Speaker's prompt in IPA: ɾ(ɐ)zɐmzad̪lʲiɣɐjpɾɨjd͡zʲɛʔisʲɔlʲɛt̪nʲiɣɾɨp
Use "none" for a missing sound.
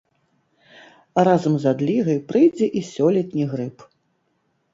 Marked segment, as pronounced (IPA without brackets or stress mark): a